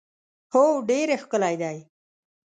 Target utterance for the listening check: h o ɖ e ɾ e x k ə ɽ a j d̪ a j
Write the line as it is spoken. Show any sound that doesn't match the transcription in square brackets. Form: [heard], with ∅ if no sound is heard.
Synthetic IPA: h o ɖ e ɾ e x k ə [l] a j d̪ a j